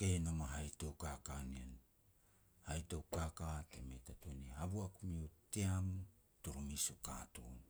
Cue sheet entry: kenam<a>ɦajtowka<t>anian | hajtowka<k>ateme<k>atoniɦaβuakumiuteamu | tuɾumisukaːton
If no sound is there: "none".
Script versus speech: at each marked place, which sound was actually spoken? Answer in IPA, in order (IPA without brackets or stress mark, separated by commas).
a, k, k, t